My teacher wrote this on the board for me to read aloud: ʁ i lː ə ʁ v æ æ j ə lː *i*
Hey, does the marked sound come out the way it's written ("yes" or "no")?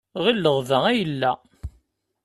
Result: no